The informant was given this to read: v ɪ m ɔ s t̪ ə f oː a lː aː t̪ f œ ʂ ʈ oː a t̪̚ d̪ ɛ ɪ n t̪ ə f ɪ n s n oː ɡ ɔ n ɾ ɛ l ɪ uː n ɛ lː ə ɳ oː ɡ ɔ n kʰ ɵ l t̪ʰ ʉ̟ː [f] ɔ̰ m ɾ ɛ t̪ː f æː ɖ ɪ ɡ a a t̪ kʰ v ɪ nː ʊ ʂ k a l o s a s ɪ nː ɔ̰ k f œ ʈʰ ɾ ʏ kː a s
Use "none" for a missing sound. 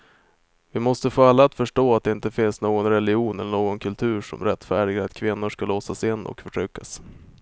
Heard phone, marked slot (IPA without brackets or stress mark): ʂ